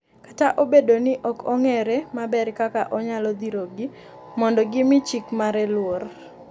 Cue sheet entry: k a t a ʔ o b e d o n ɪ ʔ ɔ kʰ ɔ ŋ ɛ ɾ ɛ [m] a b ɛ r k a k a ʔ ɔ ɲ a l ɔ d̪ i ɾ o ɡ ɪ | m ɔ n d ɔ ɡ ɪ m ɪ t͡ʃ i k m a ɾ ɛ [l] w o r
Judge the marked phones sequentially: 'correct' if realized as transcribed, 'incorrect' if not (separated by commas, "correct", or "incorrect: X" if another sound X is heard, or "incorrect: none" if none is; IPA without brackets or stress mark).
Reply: correct, correct